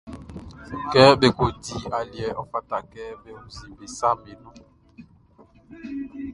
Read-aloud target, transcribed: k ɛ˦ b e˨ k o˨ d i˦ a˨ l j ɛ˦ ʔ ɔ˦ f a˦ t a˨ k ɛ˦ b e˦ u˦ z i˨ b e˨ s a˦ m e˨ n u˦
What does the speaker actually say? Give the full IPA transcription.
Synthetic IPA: k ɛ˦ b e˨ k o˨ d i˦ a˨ l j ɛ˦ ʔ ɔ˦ f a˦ t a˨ k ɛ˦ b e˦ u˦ z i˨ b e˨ s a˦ m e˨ n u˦

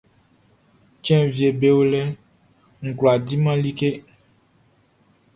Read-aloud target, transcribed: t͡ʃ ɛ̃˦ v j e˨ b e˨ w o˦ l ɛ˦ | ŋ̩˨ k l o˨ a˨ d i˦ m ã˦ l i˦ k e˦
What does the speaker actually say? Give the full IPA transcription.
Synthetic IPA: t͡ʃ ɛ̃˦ v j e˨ b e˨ w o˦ l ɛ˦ | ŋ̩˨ k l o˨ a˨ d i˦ m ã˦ l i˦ k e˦

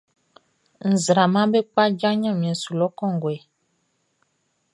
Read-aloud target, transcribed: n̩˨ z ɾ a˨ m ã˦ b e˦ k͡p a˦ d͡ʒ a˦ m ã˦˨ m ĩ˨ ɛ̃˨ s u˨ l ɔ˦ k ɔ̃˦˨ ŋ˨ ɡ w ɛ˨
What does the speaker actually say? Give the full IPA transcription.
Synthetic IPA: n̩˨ z ɾ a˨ m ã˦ b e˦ k͡p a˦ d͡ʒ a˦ ɲ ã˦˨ m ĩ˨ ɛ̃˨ s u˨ l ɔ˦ k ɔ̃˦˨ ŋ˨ ɡ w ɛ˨

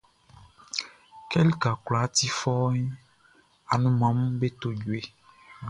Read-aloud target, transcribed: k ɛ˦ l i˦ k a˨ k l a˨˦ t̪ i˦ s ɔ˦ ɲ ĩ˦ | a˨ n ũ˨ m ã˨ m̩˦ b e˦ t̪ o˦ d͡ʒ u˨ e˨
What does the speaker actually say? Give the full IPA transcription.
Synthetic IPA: k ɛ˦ l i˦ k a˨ k l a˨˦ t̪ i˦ f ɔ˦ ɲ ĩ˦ | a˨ n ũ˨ m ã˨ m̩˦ b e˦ t̪ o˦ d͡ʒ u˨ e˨

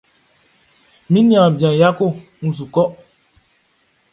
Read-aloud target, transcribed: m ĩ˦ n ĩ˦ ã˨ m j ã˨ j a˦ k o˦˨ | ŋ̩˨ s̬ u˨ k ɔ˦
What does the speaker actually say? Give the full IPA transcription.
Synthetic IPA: m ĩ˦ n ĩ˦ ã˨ b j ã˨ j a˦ k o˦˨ | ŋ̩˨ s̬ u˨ k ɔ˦

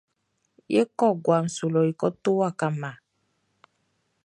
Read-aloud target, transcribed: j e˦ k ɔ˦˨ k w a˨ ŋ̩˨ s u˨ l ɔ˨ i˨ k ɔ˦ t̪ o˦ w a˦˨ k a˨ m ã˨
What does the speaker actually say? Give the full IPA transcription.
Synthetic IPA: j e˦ k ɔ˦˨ ɡ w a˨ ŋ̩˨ s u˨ l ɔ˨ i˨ k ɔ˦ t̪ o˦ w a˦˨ k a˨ m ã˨

